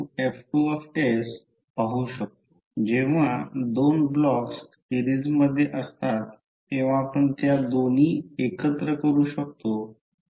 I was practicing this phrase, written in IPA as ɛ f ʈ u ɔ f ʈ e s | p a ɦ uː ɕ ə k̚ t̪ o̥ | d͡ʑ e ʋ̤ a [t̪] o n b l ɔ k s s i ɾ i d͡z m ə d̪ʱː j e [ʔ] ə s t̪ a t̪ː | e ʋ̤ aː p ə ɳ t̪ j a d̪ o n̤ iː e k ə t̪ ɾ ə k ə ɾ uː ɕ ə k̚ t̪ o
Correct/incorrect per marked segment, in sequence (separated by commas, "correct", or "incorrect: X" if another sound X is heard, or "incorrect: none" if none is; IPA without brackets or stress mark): incorrect: d̪, correct